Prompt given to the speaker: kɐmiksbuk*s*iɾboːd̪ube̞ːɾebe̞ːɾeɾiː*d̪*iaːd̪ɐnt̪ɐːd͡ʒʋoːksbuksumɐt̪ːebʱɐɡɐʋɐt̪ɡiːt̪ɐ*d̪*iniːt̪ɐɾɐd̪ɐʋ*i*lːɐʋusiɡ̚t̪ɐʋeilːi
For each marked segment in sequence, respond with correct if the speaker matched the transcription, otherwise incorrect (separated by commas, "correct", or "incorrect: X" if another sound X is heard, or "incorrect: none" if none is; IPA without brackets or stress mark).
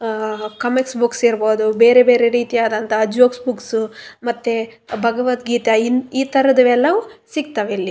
correct, incorrect: t̪, incorrect: none, incorrect: ɛ